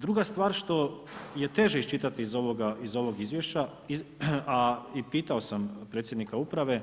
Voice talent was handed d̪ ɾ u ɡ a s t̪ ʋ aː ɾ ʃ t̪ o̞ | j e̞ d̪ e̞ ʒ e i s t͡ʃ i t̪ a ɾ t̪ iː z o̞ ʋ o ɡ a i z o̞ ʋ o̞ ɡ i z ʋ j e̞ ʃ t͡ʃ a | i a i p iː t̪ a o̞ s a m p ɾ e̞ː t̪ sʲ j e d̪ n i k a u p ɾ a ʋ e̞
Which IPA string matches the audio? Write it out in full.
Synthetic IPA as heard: d̪ ɾ u ɡ a s t̪ ʋ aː ɾ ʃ t̪ o̞ | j e̞ t̪ e̞ ʒ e i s t͡ʃ i t̪ a t̪ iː z o̞ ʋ o ɡ a i z o̞ ʋ o̞ ɡ i z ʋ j e̞ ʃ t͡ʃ a | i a i p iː t̪ a o̞ s a m p ɾ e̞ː t̪ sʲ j e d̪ n i k a u p ɾ a ʋ e̞